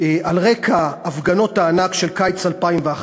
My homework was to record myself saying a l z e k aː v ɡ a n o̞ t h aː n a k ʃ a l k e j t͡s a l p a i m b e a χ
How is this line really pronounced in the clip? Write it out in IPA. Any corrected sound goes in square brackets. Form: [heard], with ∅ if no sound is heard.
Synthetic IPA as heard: a l [ʁ] e k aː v ɡ a n o̞ t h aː n a k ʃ [e] l k [a] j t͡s a l p a i m [v] e a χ